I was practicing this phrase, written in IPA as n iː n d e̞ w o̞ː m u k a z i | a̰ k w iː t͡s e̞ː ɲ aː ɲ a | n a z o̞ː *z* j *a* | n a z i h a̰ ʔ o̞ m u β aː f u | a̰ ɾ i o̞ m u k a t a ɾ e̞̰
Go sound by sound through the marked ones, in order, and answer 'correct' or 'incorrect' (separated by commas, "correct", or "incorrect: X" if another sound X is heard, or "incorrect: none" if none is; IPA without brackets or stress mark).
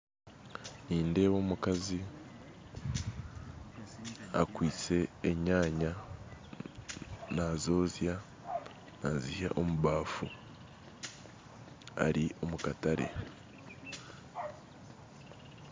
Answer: correct, correct